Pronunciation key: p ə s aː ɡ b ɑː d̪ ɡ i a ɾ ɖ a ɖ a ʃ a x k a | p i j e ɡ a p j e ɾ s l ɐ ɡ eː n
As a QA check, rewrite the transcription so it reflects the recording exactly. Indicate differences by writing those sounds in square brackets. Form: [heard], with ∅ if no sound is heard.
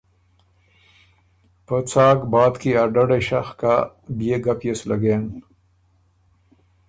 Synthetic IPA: p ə [t͡s] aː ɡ b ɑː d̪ [k] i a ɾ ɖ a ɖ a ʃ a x k a | [b] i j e ɡ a p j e [∅] s l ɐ ɡ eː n